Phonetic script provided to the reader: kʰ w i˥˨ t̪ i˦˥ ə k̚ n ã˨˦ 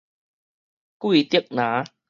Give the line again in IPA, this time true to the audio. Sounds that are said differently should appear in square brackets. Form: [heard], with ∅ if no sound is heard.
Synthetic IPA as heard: [k] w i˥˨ t̪ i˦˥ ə k̚ n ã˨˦